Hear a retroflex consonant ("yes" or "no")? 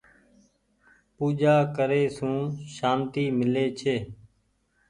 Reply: no